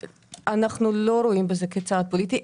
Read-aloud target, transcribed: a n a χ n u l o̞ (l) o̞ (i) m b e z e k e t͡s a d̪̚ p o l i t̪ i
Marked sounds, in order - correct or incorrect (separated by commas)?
incorrect, correct